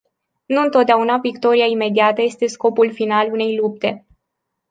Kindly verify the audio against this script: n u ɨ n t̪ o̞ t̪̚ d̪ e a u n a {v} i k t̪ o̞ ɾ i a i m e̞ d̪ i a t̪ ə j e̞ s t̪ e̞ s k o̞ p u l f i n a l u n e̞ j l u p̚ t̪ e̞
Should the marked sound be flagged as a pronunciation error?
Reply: no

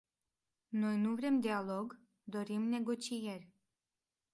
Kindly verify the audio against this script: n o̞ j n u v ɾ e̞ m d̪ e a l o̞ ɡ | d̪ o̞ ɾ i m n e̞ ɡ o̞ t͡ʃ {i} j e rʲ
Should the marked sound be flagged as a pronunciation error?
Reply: no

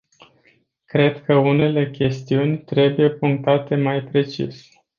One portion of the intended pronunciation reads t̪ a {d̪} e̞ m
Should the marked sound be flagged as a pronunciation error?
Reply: yes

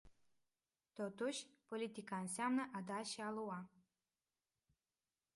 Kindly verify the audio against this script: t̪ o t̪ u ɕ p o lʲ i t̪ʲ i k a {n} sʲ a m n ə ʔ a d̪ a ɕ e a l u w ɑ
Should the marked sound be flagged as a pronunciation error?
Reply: no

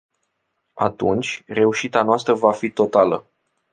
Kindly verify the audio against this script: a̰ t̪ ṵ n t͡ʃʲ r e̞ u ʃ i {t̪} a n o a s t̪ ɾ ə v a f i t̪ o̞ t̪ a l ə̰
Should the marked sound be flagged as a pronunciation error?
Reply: no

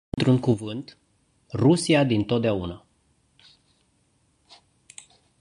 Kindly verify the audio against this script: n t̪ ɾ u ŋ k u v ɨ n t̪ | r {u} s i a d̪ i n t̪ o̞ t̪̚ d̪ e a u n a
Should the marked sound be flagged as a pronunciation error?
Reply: no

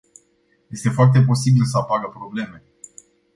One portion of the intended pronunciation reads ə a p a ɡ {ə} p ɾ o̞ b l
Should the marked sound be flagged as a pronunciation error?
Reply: no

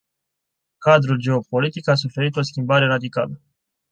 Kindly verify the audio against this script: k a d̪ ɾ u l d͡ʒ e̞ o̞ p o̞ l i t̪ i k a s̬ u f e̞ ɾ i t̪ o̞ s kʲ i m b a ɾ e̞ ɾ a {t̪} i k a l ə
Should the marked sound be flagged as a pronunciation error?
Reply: yes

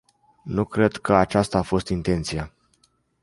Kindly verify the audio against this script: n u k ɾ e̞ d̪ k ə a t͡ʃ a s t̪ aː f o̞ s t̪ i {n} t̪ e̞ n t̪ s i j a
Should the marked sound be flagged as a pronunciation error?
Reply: no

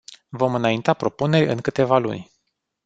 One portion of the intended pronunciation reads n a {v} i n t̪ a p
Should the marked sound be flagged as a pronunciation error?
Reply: yes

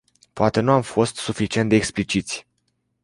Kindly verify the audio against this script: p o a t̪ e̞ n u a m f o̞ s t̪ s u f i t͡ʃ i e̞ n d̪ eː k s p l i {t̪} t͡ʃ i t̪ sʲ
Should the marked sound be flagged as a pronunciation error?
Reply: yes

